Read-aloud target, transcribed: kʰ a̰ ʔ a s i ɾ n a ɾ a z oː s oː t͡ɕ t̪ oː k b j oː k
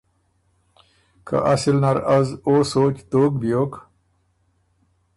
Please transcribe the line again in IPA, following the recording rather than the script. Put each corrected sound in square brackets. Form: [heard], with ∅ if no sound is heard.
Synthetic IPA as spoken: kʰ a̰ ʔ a s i [l] n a ɾ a z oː s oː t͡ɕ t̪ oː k b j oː k